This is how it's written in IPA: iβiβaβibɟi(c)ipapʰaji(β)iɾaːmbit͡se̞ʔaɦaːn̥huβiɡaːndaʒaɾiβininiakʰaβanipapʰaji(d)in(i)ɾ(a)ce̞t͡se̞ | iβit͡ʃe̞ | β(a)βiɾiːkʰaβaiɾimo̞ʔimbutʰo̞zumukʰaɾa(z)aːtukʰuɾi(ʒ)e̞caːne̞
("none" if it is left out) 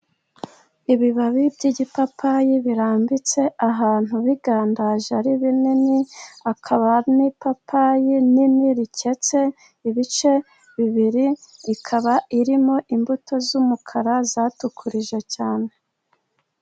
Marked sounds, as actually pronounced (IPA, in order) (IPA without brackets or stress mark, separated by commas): ɟ, β, n, i, i, i, z, ʒ